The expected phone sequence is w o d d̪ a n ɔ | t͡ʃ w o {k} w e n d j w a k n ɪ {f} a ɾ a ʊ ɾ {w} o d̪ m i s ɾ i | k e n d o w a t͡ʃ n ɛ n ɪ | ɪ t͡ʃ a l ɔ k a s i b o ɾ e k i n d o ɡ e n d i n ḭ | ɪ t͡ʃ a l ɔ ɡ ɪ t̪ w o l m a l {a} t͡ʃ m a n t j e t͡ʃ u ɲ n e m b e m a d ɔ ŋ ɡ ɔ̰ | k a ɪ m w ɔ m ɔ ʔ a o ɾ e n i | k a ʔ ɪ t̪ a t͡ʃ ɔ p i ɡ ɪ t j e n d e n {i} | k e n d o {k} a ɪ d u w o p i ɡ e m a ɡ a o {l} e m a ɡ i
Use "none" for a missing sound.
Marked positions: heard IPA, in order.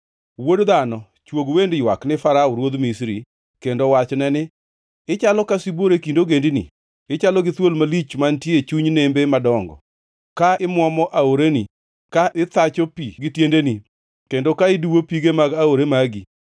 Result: ɡ, f, w, i, i, k, ɾ

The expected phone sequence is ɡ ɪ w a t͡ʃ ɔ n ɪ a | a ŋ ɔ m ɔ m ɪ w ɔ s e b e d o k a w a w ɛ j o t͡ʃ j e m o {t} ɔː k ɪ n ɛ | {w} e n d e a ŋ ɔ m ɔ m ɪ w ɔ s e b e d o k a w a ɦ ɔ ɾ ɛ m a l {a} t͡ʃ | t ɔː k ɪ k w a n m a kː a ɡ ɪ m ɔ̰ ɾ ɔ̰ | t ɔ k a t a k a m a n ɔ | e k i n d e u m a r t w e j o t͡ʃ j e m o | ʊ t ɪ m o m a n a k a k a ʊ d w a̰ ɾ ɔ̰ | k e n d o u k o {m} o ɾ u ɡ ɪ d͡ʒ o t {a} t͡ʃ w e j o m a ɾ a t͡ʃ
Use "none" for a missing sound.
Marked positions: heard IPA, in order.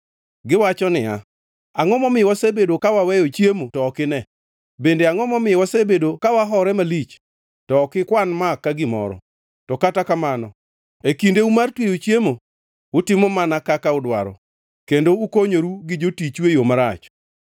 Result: t, b, i, ɲ, i

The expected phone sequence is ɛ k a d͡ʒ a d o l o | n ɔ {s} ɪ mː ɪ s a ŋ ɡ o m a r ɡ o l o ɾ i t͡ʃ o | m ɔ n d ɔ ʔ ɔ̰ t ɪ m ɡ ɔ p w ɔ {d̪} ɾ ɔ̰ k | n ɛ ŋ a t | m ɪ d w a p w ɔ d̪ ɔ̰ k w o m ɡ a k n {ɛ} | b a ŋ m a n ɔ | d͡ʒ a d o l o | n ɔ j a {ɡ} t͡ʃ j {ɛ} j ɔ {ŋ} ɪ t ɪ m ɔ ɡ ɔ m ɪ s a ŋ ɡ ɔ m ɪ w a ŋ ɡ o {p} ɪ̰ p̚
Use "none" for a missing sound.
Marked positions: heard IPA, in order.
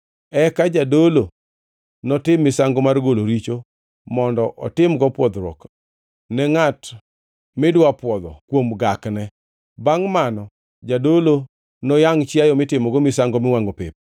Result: t, d̪, ɛ, ŋ, a, m, p

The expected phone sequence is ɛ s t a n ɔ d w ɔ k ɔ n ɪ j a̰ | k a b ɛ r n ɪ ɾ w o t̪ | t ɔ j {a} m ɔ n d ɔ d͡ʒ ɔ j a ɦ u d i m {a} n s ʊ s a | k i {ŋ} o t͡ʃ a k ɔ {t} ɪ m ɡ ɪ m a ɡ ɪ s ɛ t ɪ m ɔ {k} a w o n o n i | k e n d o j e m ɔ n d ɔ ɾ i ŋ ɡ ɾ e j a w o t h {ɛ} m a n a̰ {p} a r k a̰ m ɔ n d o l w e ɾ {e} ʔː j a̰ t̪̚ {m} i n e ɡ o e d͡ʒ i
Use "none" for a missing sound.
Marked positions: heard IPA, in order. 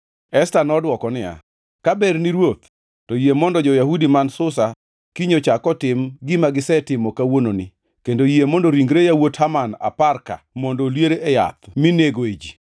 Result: e, a, ɲ, t, k, a, p, e, m

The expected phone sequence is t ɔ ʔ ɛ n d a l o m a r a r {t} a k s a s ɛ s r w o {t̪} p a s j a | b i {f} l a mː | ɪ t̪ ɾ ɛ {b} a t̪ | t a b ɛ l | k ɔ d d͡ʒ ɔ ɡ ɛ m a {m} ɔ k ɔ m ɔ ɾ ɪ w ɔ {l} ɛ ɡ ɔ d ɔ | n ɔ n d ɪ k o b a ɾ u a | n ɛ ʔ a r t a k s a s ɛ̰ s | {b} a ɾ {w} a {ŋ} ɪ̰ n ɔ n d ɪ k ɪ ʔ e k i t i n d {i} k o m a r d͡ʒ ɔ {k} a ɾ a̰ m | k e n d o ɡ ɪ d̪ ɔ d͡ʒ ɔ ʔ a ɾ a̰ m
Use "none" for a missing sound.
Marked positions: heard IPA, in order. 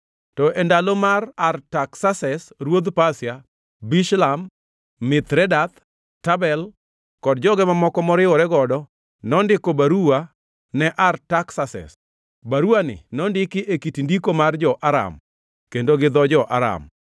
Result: t, d̪, ʃ, d, m, ɾ, b, u, n, i, ʔ

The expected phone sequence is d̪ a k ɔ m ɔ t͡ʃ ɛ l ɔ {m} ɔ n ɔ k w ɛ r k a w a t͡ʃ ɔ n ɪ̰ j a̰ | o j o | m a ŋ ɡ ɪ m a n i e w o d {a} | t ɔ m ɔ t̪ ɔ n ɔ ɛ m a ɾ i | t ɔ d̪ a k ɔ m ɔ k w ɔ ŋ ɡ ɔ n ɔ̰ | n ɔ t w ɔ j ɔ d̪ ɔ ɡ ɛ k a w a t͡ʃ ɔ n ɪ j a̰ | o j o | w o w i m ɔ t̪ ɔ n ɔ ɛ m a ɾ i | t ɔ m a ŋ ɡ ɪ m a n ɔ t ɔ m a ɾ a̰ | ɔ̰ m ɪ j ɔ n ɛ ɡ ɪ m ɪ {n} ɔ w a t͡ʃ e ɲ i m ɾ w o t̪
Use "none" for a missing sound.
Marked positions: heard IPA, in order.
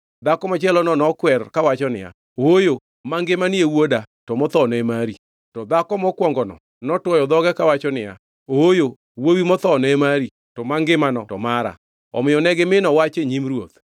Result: n, a, n

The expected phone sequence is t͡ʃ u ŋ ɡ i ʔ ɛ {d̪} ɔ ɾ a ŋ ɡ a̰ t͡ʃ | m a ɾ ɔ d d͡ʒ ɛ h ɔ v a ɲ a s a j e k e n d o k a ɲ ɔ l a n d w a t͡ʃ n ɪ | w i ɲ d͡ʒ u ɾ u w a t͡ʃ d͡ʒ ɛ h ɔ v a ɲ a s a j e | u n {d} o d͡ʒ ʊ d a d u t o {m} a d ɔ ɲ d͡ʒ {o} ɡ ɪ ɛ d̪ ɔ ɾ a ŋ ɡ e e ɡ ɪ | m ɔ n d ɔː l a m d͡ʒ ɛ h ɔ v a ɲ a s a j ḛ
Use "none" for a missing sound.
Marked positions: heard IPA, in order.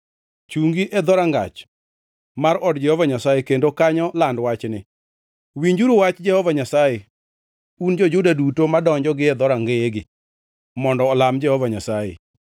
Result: d̪, d͡ʒ, m, ɔ

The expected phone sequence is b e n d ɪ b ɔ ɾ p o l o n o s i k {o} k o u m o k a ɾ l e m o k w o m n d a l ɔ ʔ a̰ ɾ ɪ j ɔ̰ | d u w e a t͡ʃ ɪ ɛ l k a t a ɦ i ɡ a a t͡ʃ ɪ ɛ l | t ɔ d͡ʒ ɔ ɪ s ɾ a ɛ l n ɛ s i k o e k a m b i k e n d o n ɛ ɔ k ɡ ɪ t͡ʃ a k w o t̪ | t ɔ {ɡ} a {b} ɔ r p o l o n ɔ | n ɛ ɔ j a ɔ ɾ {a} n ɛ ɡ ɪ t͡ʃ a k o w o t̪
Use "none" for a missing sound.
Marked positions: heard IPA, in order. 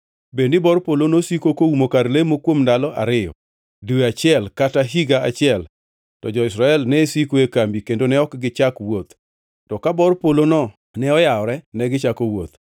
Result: o, k, b, ɛ

